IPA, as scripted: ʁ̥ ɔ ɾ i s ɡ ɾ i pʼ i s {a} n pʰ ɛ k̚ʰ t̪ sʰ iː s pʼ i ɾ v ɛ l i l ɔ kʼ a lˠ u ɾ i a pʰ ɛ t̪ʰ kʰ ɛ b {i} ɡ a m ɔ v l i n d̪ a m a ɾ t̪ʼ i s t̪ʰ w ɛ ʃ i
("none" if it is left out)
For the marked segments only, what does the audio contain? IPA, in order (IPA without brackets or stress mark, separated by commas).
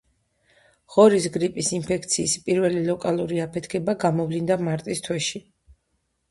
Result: i, a